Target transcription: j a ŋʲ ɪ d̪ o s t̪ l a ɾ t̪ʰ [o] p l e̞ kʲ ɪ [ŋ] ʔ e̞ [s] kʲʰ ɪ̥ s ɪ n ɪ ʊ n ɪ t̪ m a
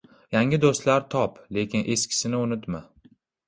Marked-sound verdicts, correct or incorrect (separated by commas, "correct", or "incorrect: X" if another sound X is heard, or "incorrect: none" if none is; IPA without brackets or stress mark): incorrect: ɒ, incorrect: n, correct